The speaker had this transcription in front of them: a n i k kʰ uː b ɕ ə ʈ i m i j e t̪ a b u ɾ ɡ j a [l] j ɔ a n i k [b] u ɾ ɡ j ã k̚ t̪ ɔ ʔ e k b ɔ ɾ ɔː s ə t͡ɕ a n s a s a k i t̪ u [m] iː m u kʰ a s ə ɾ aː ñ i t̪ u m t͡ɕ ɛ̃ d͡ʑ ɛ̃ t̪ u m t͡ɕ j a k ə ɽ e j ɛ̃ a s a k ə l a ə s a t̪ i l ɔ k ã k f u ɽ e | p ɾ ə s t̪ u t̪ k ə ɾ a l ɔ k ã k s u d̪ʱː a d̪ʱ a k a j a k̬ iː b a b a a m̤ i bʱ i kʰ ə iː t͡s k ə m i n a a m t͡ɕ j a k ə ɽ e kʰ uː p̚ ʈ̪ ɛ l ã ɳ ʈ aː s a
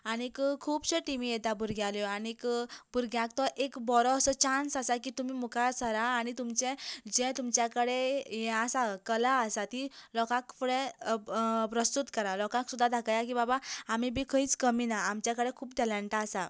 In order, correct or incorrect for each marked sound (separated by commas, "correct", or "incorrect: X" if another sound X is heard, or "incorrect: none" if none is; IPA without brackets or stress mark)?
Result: correct, correct, correct